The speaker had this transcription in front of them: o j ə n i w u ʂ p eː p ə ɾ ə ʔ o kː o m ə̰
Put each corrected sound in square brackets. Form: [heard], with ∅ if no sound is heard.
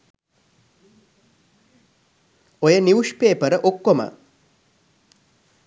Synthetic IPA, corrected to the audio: o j ə n i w u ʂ p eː p ə ɾ ə ʔ o kː o m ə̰